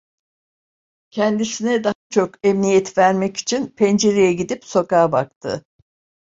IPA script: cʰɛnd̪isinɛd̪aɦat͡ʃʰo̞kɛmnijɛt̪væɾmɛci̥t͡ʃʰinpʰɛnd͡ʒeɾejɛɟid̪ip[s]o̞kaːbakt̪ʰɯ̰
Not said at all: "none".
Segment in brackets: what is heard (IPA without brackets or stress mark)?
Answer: s